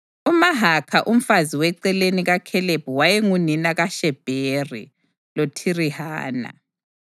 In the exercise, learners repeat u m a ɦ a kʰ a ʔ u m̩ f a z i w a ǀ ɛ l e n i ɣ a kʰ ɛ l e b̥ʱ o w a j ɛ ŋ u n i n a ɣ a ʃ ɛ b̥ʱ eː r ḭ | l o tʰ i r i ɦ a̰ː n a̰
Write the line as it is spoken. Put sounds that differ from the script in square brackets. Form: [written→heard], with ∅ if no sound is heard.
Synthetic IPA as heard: u m a ɦ a kʰ a ʔ u m̩ f a z i w [a→ɛ] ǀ ɛ l e n i ɣ a kʰ ɛ l e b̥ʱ [o→u] w a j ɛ ŋ u n i n a ɣ a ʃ ɛ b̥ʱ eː r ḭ | l o tʰ i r i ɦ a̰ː n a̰